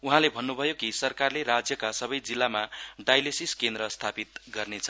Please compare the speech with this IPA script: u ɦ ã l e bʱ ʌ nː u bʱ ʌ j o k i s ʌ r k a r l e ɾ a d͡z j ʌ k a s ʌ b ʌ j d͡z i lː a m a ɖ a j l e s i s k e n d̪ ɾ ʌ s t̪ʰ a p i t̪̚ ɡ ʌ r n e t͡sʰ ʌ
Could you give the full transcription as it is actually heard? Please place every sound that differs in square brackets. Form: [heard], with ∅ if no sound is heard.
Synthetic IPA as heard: u ɦ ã l e bʱ ʌ nː u bʱ ʌ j o k i s ʌ r k a r l e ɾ a d͡z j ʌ k a s ʌ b ʌ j d͡z i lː a m a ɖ a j l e s i s k e n d̪ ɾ ʌ s t̪ʰ a p i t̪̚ ɡ ʌ r n e t͡sʰ ʌ

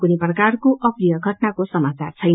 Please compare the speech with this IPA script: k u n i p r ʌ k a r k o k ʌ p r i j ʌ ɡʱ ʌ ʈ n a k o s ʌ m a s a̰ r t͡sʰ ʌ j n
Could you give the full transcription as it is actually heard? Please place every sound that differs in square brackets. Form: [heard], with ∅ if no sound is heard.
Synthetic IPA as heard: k u n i p r ʌ k a r k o [ʔ] ʌ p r i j ʌ ɡʱ ʌ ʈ n a k o s ʌ m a [t͡s] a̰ r t͡sʰ ʌ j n

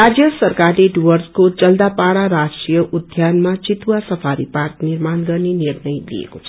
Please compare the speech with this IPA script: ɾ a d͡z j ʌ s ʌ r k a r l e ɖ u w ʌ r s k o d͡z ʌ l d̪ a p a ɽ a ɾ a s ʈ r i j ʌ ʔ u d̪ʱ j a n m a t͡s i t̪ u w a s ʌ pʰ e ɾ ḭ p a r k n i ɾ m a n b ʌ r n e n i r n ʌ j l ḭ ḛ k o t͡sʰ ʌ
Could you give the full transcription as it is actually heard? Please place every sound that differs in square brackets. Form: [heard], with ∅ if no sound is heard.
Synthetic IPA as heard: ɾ a d͡z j ʌ s ʌ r k a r l e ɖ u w ʌ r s k o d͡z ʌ l d̪ a p a ɽ a ɾ a s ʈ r i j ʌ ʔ u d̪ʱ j a n m a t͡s i t̪ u w a s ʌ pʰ [a] ɾ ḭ p a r k n i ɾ m a n [ɡ] ʌ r n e n i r n ʌ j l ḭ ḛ k o t͡sʰ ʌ

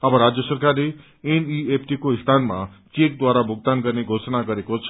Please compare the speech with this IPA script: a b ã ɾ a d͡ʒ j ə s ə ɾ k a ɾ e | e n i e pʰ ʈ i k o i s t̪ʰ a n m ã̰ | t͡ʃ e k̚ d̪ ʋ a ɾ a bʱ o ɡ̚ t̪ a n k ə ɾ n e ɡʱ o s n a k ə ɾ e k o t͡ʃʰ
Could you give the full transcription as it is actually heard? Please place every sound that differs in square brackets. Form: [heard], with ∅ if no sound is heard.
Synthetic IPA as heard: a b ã ɾ a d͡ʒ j ə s ə ɾ k a ɾ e | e n i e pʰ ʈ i k o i s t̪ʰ a n m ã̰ | t͡ʃ e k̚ d̪ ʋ a ɾ a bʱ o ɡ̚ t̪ a n k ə ɾ n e ɡʱ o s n a k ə ɾ e k o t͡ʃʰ

